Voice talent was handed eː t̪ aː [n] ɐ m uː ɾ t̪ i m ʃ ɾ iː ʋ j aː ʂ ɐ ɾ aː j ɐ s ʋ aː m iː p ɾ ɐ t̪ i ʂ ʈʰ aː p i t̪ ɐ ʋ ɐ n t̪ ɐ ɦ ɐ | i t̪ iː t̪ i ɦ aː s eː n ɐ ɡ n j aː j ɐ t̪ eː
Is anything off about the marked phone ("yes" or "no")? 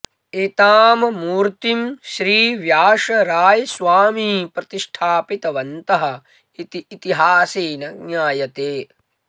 yes